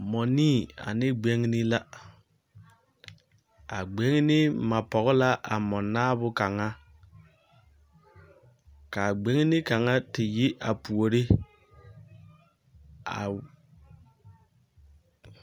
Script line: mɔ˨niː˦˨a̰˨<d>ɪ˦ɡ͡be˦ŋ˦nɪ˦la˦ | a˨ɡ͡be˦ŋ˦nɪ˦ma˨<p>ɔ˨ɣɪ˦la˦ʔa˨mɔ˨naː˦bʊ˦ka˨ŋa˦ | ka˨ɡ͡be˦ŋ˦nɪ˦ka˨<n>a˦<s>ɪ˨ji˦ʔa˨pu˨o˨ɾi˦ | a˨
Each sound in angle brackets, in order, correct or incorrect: incorrect: n, correct, incorrect: ŋ, incorrect: t

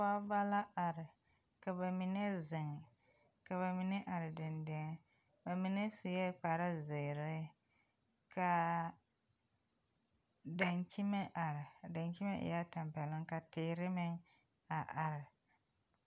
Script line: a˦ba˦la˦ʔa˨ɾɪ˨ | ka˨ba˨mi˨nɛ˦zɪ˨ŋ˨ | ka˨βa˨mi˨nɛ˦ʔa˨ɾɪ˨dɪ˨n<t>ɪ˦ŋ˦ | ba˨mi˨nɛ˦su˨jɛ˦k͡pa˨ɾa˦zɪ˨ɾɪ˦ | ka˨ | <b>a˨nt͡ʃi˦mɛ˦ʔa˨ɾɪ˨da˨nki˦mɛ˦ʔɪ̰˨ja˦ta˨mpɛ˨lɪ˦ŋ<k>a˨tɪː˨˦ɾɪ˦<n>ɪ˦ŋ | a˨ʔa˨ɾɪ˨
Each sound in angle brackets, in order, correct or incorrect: incorrect: d, incorrect: d, correct, incorrect: m

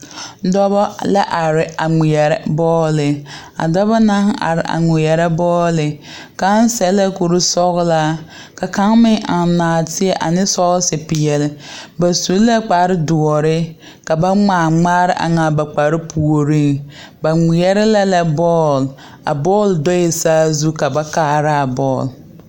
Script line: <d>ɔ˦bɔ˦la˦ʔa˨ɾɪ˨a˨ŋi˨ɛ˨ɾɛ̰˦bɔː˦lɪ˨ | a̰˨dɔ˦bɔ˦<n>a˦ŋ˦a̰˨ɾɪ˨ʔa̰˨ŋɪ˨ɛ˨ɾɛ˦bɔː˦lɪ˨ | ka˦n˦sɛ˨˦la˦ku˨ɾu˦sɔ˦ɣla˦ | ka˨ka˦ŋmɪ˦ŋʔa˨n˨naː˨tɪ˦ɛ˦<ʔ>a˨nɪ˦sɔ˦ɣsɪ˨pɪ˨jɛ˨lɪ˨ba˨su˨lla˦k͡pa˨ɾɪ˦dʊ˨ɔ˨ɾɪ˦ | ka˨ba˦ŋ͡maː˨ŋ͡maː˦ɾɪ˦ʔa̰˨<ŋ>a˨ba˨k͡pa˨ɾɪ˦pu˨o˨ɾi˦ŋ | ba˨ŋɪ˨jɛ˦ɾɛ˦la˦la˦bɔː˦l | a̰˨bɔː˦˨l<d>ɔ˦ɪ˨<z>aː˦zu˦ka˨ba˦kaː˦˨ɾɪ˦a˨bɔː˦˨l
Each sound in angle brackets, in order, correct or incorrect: correct, correct, correct, correct, correct, incorrect: s

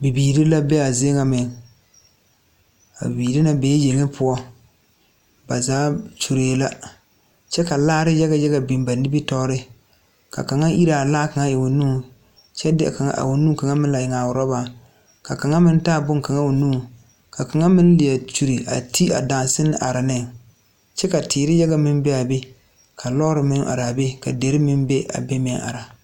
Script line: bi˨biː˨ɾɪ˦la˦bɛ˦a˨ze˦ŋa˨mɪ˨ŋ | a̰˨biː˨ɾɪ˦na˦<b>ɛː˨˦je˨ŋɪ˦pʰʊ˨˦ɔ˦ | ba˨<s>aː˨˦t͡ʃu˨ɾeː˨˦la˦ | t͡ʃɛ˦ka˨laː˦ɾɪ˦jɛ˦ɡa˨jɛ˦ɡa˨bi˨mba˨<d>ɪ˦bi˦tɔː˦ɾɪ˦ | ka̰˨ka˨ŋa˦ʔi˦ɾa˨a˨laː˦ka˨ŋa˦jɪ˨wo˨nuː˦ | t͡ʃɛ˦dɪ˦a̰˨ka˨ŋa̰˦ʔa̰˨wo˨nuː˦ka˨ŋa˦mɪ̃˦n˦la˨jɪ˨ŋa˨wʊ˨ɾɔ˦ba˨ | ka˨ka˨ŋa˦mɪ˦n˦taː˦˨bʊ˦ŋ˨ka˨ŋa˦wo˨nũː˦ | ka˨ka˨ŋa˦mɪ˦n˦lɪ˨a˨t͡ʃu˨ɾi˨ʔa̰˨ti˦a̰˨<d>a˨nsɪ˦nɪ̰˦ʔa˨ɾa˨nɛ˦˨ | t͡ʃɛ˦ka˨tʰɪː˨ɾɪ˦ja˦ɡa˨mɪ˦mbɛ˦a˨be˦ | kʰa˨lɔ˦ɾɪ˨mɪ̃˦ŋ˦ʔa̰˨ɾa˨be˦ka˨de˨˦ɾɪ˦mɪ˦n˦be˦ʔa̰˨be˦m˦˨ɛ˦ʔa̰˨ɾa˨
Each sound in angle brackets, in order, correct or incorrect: correct, incorrect: z, incorrect: n, correct

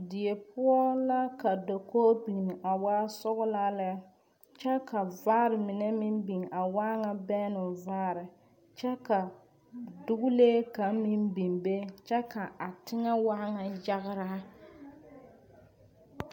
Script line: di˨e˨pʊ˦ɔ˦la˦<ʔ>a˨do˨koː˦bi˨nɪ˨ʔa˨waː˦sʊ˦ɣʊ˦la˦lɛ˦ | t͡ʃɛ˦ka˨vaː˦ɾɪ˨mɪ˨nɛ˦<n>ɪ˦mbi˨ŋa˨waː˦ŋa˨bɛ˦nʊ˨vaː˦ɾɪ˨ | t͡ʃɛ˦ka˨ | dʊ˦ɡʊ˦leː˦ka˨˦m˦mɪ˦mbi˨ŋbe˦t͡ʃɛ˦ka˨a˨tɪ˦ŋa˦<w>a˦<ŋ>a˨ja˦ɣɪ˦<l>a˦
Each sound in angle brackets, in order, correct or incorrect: incorrect: k, incorrect: m, correct, correct, incorrect: ɾ

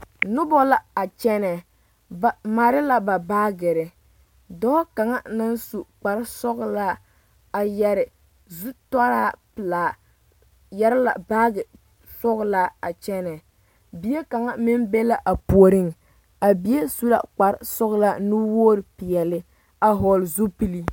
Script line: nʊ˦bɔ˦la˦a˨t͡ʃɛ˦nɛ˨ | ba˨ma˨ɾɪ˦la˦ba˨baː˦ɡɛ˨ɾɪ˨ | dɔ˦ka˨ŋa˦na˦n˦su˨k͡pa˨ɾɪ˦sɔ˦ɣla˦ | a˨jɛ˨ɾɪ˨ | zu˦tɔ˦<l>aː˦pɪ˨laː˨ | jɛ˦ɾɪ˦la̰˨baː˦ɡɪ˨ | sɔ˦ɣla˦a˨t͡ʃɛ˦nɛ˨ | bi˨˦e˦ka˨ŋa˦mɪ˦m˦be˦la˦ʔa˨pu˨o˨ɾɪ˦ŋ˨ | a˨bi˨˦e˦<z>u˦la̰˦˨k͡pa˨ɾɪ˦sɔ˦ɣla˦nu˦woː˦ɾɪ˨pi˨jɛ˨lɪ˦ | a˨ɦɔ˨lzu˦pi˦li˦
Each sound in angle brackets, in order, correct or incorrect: incorrect: ɾ, incorrect: s

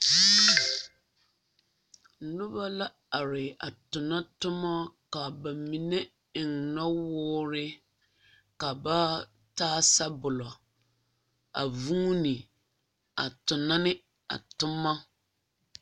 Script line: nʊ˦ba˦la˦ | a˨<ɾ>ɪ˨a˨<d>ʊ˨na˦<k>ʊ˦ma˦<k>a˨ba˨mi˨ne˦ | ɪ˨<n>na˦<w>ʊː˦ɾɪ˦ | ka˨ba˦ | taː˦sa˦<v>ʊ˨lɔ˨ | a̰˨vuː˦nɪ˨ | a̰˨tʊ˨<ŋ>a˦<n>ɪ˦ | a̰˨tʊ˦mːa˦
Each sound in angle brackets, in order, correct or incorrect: correct, incorrect: t, incorrect: t, correct, incorrect: ŋ, correct, incorrect: b, incorrect: n, correct

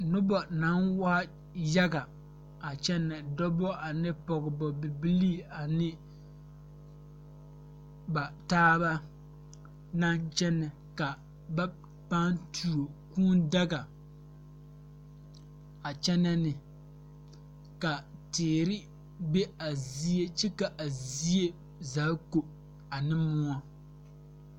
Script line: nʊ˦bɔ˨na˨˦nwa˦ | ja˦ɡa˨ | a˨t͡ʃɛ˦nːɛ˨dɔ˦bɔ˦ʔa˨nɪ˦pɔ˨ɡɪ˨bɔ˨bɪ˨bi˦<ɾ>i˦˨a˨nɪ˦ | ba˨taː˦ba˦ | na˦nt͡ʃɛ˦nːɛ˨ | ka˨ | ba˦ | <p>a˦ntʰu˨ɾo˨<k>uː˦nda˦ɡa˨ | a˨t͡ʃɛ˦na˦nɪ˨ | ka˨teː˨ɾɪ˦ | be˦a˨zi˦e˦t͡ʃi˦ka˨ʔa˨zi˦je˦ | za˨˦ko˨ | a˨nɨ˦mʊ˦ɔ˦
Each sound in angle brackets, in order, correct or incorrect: incorrect: l, correct, correct

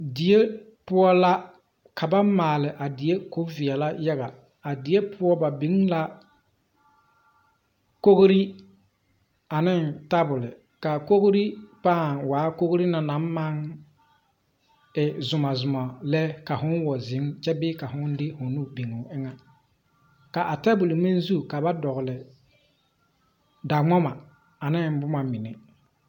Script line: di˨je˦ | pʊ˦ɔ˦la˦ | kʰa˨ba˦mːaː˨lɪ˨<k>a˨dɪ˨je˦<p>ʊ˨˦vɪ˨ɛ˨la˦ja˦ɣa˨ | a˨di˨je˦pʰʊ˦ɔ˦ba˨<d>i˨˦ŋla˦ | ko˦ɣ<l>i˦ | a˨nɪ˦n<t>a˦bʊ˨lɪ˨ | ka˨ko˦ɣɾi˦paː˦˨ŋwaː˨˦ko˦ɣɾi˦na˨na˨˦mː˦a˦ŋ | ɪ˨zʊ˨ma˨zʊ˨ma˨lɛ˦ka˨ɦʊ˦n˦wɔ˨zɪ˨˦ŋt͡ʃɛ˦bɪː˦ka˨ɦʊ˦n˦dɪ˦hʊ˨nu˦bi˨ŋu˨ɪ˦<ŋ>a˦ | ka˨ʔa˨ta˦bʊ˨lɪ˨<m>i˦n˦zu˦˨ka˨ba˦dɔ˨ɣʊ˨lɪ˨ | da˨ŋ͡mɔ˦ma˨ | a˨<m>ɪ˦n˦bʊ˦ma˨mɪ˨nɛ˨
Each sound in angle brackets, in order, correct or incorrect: incorrect: ʔ, incorrect: k, incorrect: b, incorrect: ɾ, correct, correct, correct, incorrect: n

